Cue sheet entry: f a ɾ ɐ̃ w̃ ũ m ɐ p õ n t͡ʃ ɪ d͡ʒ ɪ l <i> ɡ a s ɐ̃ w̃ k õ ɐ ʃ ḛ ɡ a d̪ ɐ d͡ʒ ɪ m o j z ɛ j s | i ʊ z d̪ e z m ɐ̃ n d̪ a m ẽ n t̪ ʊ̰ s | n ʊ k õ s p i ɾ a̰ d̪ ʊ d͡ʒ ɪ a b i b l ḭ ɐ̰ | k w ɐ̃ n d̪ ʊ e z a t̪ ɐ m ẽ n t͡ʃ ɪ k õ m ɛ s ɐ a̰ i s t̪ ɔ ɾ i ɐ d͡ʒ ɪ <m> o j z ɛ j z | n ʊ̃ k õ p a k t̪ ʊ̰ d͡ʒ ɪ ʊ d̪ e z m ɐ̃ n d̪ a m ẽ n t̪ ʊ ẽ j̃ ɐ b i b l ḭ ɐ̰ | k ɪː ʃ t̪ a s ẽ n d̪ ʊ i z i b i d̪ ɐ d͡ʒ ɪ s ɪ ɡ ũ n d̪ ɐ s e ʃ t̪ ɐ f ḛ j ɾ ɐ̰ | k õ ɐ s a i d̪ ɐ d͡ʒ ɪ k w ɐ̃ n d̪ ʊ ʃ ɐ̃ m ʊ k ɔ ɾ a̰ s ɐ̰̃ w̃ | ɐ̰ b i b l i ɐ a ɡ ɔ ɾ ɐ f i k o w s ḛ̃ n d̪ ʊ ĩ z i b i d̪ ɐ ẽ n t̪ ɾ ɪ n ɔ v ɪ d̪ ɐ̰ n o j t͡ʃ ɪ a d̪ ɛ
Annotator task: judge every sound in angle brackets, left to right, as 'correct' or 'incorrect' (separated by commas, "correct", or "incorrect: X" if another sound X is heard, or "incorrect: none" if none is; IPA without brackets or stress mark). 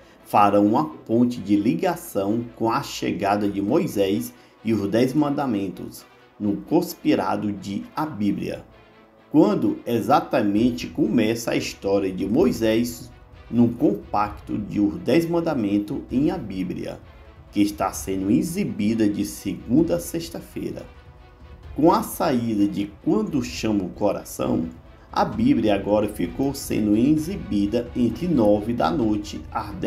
correct, correct